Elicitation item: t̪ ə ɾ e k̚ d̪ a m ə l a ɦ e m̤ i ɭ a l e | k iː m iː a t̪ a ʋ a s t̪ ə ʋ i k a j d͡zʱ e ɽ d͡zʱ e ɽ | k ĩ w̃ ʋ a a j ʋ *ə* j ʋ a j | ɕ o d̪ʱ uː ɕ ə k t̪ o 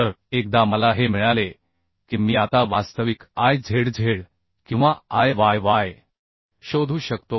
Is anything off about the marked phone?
yes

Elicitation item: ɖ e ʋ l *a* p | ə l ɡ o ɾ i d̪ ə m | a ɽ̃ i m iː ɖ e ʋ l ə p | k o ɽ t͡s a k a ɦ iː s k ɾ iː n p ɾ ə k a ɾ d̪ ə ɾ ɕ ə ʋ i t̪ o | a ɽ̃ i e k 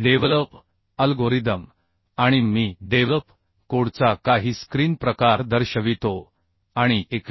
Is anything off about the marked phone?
yes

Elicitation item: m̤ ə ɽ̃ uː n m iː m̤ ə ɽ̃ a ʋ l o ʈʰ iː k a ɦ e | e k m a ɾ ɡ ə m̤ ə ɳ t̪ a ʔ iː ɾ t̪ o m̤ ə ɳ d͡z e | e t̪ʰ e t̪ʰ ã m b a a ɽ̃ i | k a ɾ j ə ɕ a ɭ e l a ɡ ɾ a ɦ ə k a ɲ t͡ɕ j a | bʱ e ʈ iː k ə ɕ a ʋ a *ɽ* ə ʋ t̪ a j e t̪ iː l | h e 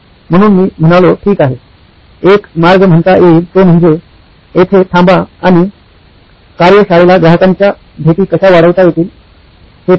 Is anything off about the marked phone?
no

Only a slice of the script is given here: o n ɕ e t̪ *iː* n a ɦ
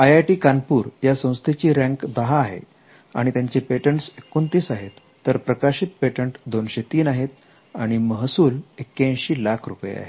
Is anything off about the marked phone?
no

